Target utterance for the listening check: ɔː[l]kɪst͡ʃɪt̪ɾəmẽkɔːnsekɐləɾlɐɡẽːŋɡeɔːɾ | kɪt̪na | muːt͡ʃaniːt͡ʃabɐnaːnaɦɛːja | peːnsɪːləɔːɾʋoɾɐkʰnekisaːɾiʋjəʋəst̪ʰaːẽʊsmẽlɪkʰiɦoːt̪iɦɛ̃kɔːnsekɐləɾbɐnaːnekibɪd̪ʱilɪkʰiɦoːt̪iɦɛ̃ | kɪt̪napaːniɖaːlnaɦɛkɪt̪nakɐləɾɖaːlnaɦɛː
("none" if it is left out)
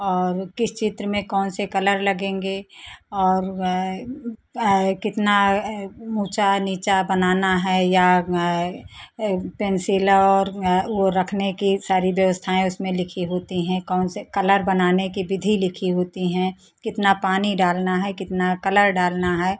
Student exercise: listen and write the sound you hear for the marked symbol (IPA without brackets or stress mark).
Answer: ɾ